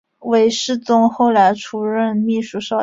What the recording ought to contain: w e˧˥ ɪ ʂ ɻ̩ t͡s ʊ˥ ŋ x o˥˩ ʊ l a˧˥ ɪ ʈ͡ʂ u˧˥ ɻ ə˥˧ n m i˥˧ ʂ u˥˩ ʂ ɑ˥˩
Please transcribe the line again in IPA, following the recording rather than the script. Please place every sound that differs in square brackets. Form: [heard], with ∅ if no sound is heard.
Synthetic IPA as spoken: w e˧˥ ɪ ʂ ɻ̩ t͡s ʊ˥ ŋ x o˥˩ ʊ l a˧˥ ɪ [ʈ͡ʂʰ] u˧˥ ɻ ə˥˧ n m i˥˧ ʂ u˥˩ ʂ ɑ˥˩